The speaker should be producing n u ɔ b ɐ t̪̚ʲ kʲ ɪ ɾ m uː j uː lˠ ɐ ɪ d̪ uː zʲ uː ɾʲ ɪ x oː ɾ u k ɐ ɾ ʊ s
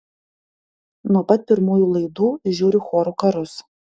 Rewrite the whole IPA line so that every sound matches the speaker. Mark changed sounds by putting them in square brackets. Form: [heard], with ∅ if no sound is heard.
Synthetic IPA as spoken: n u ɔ [p] ɐ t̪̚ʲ [pʲ] ɪ ɾ m uː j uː lˠ ɐ ɪ d̪ uː [ʒʲ] uː ɾʲ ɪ x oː ɾ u k ɐ ɾ ʊ s